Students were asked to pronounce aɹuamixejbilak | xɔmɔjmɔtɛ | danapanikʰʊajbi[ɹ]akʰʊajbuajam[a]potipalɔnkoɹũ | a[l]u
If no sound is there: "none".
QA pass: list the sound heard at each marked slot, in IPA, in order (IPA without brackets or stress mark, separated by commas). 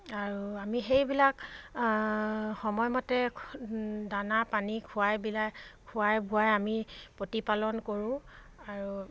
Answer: l, i, ɹ